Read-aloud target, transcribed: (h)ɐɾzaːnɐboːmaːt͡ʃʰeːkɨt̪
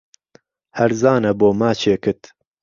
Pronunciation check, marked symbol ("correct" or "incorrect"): correct